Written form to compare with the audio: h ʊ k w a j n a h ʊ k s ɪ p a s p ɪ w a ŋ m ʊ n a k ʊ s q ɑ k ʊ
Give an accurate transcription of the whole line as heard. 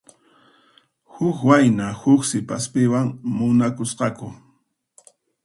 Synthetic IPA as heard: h ʊ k w a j n a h ʊ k s ɪ p a s p ɪ w a ŋ m ʊ n a k ʊ s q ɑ k ʊ